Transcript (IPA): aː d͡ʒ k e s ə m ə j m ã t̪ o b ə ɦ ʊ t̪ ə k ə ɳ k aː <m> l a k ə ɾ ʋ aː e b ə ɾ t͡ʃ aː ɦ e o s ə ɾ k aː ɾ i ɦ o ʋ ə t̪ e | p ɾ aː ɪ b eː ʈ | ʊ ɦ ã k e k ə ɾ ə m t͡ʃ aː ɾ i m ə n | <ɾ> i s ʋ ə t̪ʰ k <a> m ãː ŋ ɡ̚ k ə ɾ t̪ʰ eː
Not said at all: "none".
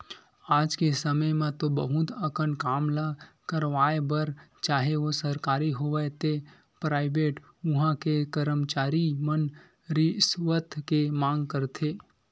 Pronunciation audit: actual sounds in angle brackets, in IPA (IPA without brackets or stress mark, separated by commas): m, ɾ, e